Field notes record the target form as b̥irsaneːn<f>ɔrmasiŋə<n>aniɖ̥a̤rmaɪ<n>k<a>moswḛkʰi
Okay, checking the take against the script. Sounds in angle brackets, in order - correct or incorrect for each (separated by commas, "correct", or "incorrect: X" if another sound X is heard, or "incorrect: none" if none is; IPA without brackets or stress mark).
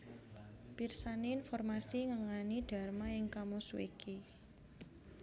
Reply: correct, incorrect: ŋ, incorrect: ŋ, correct